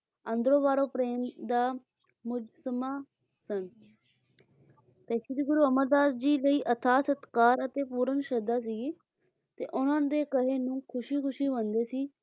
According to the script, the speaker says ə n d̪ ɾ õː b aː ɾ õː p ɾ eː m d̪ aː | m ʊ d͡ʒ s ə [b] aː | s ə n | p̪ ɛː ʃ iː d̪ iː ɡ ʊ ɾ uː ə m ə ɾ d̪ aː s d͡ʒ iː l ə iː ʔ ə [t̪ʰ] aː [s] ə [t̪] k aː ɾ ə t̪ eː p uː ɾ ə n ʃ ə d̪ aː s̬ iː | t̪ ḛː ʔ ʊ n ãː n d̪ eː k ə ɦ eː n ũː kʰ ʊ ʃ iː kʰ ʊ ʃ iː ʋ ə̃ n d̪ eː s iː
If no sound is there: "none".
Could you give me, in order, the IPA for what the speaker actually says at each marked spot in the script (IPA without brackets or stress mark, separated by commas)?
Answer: m, t̪ʰ, s, t̪